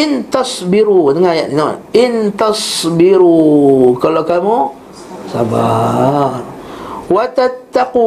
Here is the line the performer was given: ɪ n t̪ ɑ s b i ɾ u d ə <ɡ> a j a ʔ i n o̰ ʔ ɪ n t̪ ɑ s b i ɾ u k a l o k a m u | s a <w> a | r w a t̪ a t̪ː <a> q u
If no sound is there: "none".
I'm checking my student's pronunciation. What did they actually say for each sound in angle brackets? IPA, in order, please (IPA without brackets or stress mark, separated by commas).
ŋ, b, a